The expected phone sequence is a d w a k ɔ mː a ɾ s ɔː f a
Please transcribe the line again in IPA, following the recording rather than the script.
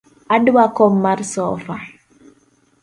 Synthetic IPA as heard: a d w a k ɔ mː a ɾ s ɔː f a

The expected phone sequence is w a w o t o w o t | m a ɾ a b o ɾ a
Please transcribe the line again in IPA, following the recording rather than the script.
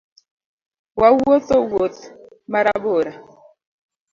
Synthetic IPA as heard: w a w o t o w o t | m a ɾ a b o ɾ a

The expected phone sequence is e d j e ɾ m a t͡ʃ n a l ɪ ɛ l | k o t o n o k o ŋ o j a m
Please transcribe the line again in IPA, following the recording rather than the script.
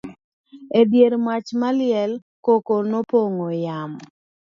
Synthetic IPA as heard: e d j e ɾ m a t͡ʃ m a l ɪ ɛ l | k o k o n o p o ŋ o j a m

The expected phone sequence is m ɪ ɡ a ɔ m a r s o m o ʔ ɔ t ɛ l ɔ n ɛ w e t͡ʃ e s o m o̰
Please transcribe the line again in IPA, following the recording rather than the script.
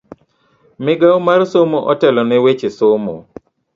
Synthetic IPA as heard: m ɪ ɡ a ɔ m a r s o m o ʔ ɔ t ɛ l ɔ n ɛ w e t͡ʃ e s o m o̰

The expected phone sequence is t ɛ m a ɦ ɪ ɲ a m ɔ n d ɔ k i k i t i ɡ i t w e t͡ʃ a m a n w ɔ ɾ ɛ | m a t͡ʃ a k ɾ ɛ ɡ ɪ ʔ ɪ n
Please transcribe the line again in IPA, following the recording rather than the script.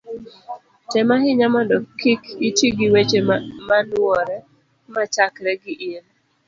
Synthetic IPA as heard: t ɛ m a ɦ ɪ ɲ a m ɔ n d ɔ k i k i t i ɡ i w e t͡ʃ e m a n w ɔ ɾ ɛ | m a t͡ʃ a k ɾ ɛ ɡ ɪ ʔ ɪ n

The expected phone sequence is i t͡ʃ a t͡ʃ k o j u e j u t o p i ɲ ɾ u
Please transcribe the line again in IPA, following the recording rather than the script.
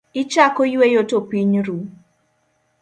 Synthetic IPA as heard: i t͡ʃ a k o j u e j o t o p i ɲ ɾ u

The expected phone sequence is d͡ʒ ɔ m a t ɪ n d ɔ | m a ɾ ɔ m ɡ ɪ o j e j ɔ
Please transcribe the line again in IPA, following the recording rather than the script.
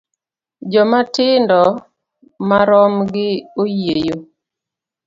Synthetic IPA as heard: d͡ʒ ɔ m a t ɪ n d ɔ | m a ɾ ɔ m ɡ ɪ o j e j o

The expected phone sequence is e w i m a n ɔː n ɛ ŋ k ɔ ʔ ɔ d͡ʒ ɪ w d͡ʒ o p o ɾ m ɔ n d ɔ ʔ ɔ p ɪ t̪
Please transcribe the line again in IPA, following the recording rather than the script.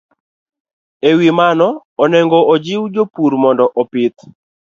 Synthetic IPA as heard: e w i m a n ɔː n ɛ ŋ ɡ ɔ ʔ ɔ d͡ʒ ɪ w d͡ʒ o p u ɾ m ɔ n d ɔ ʔ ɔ p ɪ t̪

